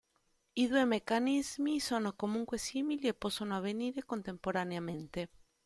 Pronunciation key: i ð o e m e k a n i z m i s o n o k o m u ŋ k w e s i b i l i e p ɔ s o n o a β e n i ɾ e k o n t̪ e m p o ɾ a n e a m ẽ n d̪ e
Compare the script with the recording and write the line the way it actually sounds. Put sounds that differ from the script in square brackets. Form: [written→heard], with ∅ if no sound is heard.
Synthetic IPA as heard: i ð [o→u] e m e k a n i z m i s o n o k o m u ŋ k w e s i [b→m] i l i e p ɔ s o n o a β e n i ɾ e k o n t̪ e m p o ɾ a n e a m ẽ n [d̪→t̪] e